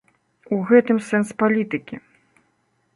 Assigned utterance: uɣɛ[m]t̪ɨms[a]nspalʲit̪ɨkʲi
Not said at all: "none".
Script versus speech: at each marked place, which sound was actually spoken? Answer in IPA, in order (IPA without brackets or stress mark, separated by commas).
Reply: none, ɛ